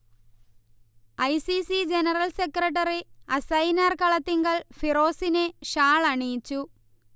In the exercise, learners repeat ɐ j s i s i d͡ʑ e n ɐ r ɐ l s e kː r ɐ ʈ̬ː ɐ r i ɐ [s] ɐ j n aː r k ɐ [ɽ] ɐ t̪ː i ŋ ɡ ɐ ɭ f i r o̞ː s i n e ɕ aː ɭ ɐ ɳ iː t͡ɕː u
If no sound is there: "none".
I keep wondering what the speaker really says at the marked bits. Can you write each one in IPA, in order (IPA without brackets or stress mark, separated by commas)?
s, ɭ